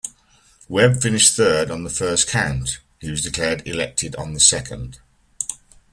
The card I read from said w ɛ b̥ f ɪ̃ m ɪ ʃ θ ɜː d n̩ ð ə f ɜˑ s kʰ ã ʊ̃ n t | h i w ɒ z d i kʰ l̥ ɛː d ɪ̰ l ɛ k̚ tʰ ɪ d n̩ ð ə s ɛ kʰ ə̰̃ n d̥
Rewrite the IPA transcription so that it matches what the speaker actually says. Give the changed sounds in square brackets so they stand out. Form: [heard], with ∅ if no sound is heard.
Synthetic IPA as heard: w ɛ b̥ f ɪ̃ [n] ɪ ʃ θ ɜː d n̩ ð ə f ɜˑ s kʰ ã ʊ̃ n t | h i w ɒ z d [ɪ] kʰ l̥ ɛː d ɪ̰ l ɛ k̚ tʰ ɪ d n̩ ð ə s ɛ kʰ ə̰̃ n d̥